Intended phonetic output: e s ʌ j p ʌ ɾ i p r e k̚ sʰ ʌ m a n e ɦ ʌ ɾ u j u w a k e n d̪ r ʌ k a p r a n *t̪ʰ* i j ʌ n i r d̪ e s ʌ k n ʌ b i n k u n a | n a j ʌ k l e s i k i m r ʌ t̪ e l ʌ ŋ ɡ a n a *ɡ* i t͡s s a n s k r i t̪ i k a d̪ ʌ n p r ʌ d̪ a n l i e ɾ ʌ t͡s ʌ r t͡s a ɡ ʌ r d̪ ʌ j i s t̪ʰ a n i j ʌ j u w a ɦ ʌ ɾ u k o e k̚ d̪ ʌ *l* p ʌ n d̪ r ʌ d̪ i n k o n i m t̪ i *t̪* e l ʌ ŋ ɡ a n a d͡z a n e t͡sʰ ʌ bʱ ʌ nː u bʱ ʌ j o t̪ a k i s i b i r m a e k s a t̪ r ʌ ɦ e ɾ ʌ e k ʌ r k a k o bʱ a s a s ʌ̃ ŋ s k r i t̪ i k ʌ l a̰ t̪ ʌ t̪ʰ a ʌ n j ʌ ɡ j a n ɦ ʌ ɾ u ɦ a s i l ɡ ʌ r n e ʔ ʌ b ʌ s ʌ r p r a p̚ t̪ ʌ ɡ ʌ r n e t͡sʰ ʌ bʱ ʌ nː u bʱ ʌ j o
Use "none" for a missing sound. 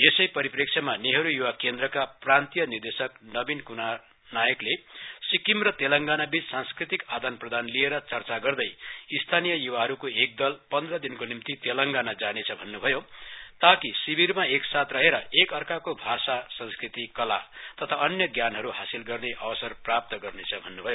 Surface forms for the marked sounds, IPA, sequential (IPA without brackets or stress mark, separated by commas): t̪, b, l, t̪